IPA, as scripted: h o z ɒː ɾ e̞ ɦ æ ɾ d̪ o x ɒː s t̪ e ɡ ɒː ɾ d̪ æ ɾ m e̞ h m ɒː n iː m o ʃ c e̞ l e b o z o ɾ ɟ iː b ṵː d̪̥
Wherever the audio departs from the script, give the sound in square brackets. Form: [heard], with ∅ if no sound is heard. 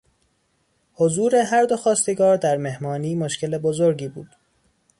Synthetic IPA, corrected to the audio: h o z [uː] ɾ e̞ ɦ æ ɾ d̪ o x ɒː s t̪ e ɡ ɒː ɾ d̪ æ ɾ m e̞ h m ɒː n iː m o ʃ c e̞ l e b o z o ɾ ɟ iː b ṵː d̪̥